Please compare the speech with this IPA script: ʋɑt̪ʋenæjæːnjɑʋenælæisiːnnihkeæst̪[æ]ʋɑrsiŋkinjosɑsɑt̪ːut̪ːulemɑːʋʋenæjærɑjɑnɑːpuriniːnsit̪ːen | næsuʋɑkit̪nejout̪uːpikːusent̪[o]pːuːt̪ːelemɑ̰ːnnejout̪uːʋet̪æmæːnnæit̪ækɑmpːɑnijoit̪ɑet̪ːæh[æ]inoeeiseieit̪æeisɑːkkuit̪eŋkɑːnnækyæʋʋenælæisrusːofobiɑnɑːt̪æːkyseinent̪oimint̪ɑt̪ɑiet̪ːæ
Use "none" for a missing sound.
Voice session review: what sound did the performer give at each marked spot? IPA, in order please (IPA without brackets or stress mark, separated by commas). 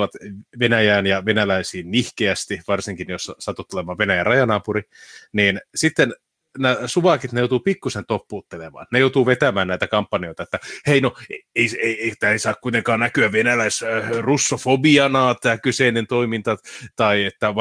i, o, e